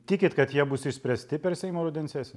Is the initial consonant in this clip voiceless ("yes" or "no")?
yes